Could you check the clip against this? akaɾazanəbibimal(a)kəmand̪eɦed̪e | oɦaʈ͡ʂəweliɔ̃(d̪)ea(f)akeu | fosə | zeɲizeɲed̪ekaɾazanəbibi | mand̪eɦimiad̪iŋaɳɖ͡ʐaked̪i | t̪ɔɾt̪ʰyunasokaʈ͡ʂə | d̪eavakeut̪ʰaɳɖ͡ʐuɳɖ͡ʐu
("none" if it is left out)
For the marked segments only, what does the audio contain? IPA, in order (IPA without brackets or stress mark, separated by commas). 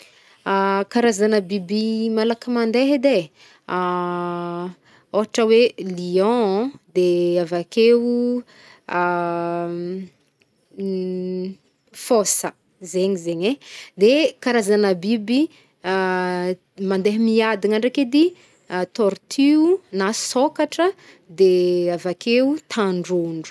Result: a, d̪, v